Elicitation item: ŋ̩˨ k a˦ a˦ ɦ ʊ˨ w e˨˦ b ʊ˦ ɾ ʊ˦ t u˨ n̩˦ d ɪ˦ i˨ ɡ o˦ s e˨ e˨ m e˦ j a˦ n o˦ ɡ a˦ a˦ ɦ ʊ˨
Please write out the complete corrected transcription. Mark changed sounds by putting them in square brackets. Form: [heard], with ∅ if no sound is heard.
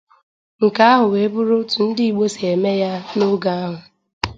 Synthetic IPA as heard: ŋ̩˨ k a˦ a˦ ɦ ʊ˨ w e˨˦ b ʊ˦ ɾ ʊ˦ t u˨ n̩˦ d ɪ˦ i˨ [ɡ͡b] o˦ s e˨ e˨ m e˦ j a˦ n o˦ ɡ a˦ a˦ ɦ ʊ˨

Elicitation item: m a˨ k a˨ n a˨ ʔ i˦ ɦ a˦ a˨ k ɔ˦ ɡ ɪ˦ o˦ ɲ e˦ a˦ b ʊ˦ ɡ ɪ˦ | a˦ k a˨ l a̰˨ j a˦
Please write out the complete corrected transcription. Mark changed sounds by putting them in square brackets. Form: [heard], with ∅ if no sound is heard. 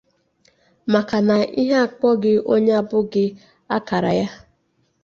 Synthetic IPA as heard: m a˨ k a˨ n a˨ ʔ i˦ ɦ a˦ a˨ [k͡p] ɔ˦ ɡ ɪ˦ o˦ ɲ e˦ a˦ b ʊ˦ ɡ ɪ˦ | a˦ k a˨ [ɾ] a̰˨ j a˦

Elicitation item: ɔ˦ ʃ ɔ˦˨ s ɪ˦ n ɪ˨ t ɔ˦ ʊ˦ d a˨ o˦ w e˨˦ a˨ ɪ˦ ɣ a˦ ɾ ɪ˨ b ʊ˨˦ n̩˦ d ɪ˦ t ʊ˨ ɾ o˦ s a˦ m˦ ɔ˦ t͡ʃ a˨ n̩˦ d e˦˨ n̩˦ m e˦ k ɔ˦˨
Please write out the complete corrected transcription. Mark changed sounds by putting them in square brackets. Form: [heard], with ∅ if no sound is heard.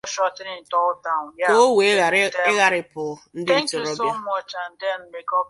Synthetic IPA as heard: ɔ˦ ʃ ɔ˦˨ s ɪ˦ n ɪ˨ t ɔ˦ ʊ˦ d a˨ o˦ w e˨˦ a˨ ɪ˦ ɣ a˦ ɾ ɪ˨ [p] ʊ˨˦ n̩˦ d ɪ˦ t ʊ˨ ɾ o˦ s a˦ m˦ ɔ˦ t͡ʃ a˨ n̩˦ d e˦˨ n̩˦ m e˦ k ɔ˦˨

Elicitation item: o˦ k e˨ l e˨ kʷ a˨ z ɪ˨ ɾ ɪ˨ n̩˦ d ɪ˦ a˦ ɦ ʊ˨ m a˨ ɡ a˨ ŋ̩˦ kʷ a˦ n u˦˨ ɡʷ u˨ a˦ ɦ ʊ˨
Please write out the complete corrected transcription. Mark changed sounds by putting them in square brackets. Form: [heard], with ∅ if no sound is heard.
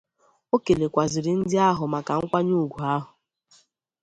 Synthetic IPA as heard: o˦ k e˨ l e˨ kʷ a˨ z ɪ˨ ɾ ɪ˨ n̩˦ d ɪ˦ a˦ ɦ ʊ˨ m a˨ [k] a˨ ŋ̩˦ kʷ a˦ [ɲ] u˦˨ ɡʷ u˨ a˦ ɦ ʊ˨

